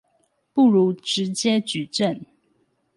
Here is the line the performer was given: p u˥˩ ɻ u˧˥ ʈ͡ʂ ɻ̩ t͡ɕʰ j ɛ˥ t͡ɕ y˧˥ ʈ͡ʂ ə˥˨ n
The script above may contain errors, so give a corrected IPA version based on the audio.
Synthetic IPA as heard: p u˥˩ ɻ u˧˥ ʈ͡ʂ ɻ̩ t͡ɕ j ɛ˥ t͡ɕ y˨˩ ʈ͡ʂ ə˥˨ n